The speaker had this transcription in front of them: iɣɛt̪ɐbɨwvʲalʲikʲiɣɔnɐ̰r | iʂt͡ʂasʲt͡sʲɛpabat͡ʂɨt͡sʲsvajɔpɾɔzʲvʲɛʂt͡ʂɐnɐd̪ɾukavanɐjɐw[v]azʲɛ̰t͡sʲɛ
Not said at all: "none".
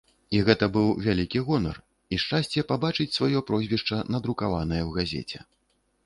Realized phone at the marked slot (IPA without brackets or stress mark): ɣ